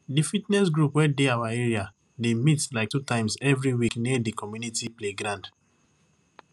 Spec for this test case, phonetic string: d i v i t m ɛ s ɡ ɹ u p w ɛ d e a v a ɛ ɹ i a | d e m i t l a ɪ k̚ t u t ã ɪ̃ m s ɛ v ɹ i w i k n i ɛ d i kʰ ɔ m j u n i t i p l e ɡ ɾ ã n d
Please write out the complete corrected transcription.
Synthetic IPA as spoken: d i f i t n ɛ s ɡ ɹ u p w ɛ d e a w a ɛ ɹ i a | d e m i t l a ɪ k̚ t u t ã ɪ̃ m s ɛ v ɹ i w i k n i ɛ d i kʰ ɔ m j u n i t i p l e ɡ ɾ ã n d